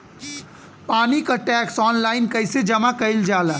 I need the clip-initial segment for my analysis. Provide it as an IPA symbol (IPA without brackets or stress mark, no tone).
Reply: p